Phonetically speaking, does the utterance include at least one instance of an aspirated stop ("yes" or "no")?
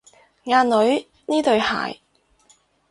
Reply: no